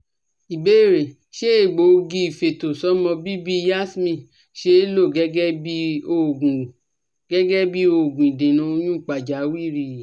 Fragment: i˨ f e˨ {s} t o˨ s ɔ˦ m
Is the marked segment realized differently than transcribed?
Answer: yes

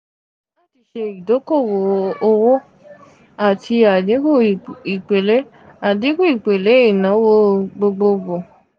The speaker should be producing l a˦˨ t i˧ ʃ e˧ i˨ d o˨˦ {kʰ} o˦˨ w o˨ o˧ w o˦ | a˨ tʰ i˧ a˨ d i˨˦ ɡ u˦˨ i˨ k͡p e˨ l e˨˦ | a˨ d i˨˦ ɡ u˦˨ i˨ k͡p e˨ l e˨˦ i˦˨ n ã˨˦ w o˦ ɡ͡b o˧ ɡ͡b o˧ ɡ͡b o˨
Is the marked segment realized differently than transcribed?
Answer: yes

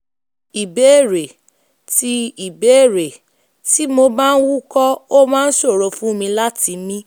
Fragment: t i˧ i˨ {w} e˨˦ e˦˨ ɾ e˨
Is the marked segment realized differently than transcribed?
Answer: yes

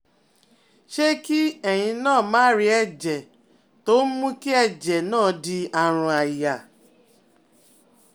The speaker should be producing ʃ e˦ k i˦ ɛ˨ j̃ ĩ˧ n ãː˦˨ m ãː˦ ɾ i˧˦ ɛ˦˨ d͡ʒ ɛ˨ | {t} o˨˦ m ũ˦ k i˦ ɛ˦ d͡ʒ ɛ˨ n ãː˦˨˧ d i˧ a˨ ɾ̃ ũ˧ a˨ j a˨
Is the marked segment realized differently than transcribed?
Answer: no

